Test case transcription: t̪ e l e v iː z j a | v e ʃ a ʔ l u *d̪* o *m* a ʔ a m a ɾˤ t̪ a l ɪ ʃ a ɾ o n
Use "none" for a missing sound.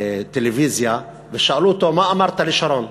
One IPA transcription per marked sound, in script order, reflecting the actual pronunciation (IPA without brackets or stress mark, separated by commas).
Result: t̪, m